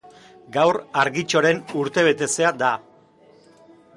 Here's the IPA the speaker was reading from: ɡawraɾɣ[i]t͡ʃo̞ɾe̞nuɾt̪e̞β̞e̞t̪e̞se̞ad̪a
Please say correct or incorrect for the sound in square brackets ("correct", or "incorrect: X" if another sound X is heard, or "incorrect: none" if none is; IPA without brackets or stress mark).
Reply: correct